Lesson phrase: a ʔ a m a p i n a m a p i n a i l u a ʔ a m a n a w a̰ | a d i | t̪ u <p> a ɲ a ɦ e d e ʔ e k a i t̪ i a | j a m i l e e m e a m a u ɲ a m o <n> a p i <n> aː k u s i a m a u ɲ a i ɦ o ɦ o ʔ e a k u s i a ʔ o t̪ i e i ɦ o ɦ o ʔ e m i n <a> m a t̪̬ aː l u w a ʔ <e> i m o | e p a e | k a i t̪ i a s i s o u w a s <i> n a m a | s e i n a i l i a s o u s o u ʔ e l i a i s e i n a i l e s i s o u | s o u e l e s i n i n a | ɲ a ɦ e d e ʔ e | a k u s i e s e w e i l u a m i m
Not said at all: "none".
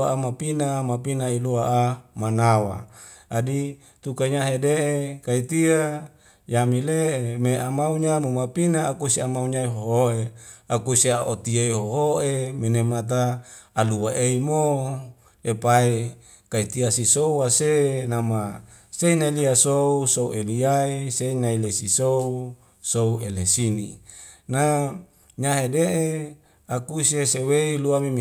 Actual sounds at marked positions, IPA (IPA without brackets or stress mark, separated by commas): k, m, n, e, e, e